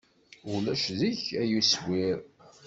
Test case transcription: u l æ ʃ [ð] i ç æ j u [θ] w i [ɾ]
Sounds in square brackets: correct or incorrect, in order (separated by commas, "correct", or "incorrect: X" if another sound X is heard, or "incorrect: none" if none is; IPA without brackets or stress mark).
correct, incorrect: s, correct